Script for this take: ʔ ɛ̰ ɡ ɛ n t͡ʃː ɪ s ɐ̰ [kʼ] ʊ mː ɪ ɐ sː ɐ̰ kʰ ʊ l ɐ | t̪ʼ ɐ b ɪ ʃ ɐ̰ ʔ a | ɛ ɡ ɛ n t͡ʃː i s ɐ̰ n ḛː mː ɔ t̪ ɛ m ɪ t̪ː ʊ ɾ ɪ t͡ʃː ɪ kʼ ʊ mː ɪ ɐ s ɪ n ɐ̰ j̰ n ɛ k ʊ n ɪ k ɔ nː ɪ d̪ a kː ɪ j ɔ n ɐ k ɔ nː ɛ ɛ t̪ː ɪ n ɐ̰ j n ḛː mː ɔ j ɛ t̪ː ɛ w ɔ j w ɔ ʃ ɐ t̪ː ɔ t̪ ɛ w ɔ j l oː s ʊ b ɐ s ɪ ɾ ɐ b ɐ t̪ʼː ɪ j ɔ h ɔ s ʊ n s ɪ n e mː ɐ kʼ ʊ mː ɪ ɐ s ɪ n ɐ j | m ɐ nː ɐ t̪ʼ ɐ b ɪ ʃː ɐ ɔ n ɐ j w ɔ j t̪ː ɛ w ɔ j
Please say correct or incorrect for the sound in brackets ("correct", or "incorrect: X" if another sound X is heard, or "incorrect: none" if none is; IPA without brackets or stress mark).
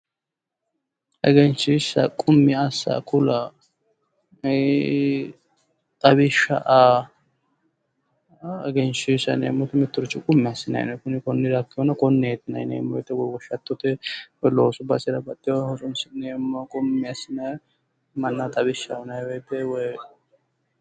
correct